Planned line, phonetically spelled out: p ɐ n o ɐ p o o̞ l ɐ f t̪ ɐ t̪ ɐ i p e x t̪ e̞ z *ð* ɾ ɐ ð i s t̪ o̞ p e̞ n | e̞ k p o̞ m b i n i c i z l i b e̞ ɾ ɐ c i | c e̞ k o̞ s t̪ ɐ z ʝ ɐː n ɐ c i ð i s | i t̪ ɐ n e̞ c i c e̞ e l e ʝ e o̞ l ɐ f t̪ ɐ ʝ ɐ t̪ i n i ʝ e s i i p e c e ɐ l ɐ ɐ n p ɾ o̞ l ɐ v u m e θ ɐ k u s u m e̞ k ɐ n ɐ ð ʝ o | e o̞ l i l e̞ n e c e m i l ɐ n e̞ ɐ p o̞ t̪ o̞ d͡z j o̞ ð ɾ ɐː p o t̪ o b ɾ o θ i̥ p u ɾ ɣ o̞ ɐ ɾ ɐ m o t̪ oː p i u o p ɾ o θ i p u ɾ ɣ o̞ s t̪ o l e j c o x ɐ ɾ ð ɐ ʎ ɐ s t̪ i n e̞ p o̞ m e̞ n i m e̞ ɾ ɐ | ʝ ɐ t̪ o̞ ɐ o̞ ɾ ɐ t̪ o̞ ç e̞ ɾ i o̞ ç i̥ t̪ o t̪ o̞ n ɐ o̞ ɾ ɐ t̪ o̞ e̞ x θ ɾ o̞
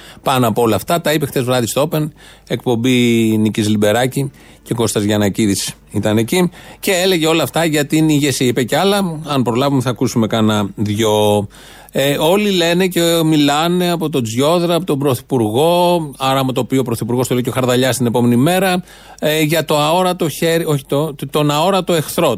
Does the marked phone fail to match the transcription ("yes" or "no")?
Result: yes